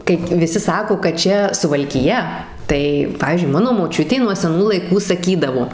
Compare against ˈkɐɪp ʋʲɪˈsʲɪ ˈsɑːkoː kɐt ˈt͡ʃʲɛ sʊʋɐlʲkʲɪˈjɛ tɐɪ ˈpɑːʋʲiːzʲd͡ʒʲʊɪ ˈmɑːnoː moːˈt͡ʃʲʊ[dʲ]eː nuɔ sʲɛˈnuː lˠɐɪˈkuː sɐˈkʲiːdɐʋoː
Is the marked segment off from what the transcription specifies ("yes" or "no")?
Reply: yes